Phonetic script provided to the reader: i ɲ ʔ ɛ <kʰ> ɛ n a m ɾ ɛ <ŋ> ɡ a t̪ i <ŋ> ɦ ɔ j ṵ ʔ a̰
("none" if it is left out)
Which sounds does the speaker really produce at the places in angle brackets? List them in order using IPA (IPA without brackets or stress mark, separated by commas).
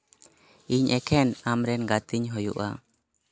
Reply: kʰ, n, ɲ